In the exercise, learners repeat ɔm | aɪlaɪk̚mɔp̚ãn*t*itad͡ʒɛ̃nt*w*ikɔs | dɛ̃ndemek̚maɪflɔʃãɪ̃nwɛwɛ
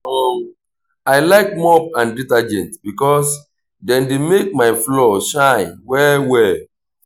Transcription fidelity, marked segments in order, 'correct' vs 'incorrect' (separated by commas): incorrect, incorrect